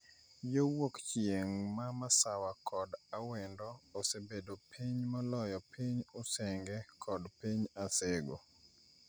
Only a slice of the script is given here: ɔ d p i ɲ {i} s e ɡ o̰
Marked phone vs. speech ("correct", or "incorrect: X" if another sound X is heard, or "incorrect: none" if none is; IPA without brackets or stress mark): incorrect: a